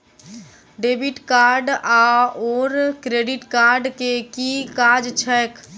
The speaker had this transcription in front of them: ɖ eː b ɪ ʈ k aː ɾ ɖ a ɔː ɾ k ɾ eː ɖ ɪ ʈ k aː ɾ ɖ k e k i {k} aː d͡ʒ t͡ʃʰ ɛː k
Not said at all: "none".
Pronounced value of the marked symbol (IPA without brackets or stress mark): k